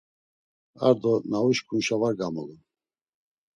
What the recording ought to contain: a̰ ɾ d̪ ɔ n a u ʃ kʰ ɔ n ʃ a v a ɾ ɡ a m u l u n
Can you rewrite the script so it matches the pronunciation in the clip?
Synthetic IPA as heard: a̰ ɾ d̪ ɔ n a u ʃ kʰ u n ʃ a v a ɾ ɡ a m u l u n